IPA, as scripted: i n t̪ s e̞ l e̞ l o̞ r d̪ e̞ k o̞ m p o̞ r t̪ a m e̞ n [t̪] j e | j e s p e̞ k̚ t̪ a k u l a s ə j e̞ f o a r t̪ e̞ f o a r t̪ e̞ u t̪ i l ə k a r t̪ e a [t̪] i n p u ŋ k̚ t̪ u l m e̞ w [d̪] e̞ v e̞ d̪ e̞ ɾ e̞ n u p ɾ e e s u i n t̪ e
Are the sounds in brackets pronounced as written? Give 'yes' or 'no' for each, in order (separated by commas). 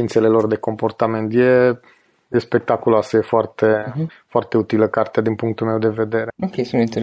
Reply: yes, no, yes